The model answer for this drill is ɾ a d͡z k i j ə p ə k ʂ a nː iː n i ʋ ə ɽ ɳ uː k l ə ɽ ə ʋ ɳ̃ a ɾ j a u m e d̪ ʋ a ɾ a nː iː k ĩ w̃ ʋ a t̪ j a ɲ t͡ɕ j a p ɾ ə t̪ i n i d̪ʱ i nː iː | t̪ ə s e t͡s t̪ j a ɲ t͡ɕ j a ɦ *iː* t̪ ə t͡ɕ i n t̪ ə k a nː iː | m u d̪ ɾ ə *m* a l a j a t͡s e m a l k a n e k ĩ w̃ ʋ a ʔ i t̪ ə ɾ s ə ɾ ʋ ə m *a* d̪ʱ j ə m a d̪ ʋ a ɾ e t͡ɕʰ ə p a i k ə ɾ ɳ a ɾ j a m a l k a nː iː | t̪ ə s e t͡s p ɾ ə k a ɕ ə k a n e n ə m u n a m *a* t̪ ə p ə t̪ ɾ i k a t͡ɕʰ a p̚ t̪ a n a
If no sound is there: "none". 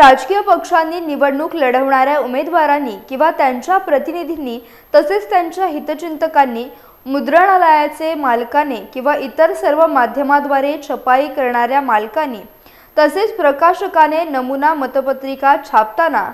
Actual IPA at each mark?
i, ɳ, a, ə

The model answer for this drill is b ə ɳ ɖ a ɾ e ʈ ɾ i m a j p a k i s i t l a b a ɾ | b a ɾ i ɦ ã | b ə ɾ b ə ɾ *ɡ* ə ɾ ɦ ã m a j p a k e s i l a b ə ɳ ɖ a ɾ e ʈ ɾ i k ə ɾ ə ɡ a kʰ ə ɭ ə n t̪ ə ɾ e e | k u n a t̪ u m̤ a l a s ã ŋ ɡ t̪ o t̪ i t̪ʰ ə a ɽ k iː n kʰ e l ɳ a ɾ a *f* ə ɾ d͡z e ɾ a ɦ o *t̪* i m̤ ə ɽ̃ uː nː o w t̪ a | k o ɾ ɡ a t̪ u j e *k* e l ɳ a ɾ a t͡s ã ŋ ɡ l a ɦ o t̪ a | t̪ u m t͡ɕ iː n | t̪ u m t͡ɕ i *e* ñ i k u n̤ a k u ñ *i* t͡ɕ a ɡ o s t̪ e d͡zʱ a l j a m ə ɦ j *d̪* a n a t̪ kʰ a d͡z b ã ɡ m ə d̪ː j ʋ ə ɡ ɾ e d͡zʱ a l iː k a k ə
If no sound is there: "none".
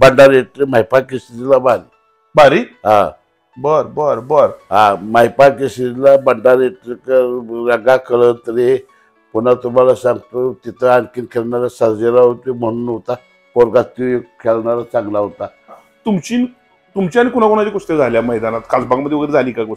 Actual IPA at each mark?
b, s, t̪, kʰ, a, a, d̪

